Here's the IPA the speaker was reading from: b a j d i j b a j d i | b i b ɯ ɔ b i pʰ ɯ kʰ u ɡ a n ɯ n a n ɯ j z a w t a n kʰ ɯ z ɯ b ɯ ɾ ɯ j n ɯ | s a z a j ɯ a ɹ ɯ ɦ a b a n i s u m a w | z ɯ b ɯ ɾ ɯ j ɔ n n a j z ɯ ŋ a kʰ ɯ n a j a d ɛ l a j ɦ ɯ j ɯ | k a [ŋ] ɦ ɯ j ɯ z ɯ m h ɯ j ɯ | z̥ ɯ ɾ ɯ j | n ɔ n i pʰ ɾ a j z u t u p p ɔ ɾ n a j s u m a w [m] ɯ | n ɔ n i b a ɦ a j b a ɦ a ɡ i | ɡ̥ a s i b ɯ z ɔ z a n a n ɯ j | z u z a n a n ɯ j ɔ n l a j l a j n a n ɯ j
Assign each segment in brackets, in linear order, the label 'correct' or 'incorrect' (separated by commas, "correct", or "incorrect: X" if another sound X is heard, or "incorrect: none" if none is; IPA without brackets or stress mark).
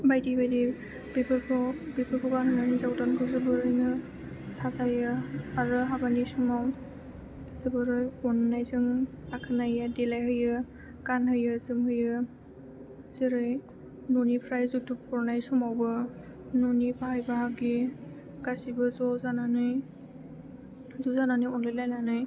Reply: incorrect: n, incorrect: b